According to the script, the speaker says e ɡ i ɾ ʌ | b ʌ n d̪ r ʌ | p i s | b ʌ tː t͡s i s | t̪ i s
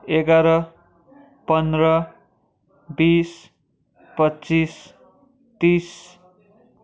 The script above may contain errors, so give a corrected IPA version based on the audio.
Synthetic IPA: e ɡ a ɾ ʌ | p ʌ n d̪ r ʌ | b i s | p ʌ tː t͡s i s | t̪ i s